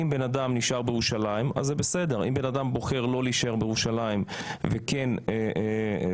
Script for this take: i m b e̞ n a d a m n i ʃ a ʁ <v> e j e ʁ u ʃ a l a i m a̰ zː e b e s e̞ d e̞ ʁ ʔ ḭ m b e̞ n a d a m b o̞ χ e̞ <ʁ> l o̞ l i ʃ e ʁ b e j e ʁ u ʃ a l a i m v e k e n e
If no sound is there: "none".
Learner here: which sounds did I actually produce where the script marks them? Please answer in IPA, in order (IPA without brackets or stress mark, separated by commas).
b, ʁ